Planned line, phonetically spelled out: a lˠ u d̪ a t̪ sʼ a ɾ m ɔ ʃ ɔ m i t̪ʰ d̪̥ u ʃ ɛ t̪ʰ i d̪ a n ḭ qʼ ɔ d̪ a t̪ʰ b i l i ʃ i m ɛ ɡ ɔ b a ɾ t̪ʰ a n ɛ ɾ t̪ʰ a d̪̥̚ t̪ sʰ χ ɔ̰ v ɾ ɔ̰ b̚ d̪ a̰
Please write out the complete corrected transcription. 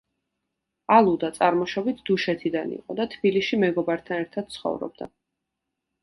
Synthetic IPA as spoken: a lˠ u d̪ a t̪ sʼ a ɾ m ɔ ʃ ɔ b i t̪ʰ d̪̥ u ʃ ɛ t̪ʰ i d̪ a n ḭ qʼ ɔ d̪ a t̪ʰ b i l i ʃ i m ɛ ɡ ɔ b a ɾ t̪ʰ a n ɛ ɾ t̪ʰ a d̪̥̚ t̪ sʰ χ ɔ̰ v ɾ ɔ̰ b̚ d̪ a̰